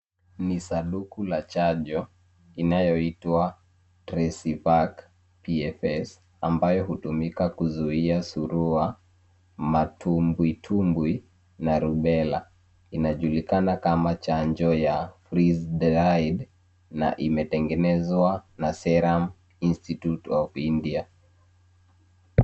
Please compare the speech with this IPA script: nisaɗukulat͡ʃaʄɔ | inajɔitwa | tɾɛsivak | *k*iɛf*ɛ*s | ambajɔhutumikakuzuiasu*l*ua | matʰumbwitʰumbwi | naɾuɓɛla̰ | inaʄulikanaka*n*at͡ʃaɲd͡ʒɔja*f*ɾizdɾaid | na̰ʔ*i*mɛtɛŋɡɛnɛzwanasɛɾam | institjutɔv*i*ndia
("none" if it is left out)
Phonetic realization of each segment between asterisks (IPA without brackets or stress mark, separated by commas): p, ɛ, ɾ, m, f, i, i